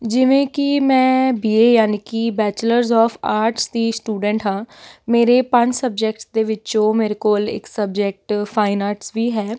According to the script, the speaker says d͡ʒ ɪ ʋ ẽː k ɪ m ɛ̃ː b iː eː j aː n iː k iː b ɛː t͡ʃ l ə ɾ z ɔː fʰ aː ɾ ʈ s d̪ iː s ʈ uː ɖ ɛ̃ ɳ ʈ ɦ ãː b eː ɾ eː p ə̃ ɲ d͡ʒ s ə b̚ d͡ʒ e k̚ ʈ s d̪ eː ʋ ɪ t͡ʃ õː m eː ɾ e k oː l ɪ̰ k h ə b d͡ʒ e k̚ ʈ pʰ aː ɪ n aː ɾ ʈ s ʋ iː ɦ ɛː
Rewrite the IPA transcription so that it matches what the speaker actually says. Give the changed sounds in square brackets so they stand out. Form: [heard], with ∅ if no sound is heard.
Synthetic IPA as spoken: d͡ʒ ɪ ʋ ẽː k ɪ m ɛ̃ː b iː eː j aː n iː k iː b ɛː t͡ʃ l ə ɾ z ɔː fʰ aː ɾ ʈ s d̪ iː s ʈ uː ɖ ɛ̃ ɳ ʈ ɦ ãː [m] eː ɾ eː p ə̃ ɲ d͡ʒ s ə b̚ d͡ʒ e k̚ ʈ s d̪ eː ʋ ɪ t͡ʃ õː m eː ɾ e k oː l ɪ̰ k [s] ə b d͡ʒ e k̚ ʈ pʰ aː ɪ n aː ɾ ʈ s ʋ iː ɦ ɛː